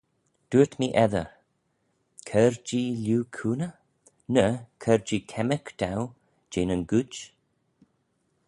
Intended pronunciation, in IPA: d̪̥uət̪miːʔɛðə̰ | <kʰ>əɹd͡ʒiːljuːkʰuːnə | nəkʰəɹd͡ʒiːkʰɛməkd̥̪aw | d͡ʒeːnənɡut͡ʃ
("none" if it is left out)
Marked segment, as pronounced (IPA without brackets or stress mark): kʰ